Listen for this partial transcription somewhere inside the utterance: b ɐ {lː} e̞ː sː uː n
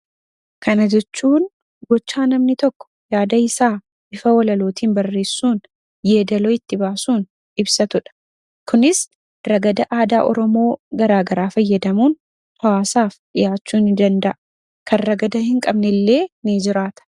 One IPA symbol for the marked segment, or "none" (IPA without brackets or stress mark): rː